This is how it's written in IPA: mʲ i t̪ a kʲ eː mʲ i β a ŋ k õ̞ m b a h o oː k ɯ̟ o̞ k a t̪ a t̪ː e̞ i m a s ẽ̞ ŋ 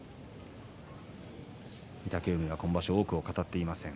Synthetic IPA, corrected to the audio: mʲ i t̪ a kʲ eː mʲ i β a k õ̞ m b a ɕ o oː k ɯ̟ o̞ k a t̪ a t̪ː e̞ i m a s ẽ̞ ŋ